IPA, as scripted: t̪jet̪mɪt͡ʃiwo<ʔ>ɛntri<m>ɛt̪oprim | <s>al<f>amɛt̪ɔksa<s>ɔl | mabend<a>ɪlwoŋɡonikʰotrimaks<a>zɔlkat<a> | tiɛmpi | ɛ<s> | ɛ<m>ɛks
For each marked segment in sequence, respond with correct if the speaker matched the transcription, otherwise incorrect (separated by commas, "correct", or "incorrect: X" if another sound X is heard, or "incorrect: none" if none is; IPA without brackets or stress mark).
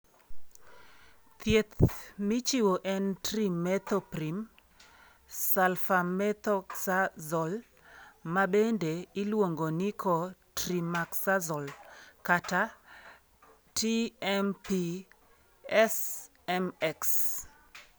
correct, correct, correct, correct, incorrect: z, incorrect: e, correct, correct, correct, correct